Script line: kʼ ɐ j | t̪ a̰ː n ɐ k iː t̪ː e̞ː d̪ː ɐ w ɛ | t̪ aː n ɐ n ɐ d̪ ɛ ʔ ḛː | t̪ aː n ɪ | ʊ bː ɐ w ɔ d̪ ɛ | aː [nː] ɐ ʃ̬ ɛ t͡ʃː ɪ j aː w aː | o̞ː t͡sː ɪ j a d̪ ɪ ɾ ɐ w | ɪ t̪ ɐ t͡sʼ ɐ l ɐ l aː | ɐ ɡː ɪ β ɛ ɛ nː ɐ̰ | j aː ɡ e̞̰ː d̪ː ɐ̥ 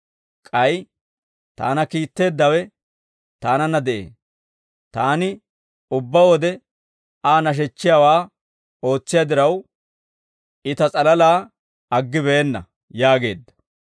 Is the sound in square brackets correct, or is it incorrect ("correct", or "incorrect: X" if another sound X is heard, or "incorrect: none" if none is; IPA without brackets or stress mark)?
incorrect: n